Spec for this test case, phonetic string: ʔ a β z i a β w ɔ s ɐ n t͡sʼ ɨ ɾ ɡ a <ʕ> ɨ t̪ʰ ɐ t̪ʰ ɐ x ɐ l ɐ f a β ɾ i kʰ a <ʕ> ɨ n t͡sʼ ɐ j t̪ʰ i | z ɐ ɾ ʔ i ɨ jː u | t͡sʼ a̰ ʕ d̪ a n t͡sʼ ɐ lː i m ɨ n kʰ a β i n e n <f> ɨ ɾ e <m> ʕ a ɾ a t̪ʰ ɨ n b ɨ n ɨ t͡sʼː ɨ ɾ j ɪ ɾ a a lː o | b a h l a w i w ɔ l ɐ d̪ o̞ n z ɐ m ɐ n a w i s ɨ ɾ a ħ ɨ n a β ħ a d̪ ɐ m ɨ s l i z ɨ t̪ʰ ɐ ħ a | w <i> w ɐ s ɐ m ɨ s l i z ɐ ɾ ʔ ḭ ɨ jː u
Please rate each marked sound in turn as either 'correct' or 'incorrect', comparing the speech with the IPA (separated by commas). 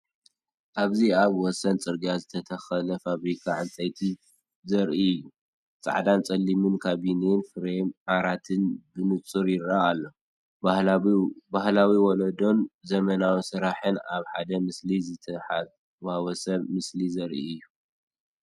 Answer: incorrect, correct, correct, correct, incorrect